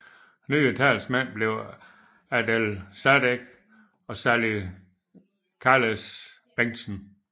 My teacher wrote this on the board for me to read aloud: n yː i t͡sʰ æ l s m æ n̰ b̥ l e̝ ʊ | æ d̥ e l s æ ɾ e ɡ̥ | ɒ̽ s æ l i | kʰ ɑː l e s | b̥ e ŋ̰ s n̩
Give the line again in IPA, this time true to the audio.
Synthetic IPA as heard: n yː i t͡sʰ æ l s m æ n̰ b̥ l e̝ ʊ | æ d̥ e l s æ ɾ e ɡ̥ | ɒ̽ s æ l i | kʰ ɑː l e s | b̥ e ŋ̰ s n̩